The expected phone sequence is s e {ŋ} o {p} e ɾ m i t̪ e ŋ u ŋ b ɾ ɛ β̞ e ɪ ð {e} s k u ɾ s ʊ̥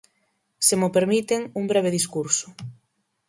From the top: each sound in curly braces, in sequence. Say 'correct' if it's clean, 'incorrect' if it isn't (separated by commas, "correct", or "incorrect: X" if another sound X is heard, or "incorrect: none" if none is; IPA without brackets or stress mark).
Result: incorrect: m, correct, incorrect: i